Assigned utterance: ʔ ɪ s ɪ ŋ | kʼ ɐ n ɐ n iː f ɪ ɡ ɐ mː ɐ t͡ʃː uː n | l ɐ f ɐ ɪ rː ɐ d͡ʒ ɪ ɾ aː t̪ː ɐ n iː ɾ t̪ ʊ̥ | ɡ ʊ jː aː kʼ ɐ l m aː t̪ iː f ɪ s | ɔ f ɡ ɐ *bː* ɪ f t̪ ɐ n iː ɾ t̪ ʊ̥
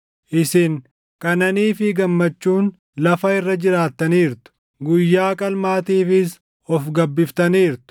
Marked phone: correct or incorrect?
correct